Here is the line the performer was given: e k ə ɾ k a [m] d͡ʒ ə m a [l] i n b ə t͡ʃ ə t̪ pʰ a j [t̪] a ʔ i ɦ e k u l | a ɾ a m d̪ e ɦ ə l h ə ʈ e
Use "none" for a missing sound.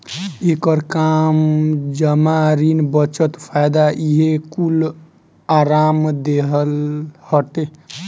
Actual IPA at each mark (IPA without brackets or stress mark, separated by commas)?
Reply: m, ɾ, d̪